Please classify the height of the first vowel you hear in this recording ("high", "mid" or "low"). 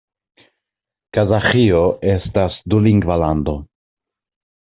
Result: low